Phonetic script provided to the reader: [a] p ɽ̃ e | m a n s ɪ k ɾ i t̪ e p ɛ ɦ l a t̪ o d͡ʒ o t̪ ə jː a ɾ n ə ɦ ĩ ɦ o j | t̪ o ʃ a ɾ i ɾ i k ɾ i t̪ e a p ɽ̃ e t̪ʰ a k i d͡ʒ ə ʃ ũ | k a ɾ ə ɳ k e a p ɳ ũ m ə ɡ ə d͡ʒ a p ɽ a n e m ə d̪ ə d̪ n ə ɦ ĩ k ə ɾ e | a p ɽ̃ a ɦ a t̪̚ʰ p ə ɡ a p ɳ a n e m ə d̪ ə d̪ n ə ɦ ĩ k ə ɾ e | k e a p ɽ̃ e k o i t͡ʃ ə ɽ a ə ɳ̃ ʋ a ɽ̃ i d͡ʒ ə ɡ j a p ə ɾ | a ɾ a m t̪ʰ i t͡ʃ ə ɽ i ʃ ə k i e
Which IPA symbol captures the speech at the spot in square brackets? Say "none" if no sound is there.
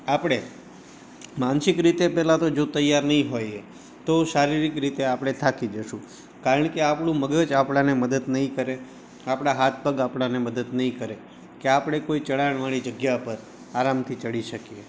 a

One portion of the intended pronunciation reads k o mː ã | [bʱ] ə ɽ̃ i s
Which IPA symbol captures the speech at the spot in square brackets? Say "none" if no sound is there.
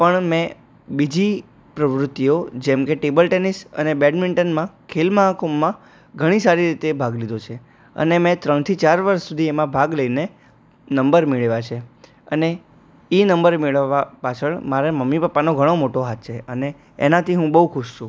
ɡʱ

